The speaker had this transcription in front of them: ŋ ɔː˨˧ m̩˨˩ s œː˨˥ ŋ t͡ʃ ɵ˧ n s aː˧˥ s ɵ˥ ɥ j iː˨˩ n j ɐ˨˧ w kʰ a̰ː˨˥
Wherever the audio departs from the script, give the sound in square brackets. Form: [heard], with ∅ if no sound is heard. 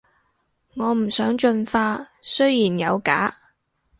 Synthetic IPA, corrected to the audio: ŋ ɔː˨˧ m̩˨˩ s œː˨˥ ŋ t͡ʃ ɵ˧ n [f] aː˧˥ s ɵ˥ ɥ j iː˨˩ n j ɐ˨˧ w [k] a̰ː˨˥